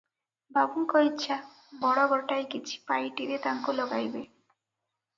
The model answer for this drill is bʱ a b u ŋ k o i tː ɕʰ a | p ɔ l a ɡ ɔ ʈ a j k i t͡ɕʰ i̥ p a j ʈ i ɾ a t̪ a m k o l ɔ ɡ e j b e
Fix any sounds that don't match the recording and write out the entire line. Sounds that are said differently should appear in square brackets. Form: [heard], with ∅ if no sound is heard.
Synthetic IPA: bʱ a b u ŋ k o i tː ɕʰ a | [b] ɔ [ɽ] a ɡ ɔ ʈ a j k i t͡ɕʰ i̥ p a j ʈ i ɾ [e] t̪ a [ŋ] k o l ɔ ɡ [a] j b e